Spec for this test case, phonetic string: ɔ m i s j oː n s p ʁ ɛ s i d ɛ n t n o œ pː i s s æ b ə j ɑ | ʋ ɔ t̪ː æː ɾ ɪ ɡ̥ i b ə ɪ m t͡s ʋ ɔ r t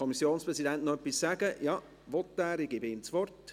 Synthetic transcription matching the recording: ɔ m i s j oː n s p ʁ ɛ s i d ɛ n t n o œ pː i s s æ ɡ ə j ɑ | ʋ ɔ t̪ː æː ɾ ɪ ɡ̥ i b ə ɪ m t͡s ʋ ɔ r t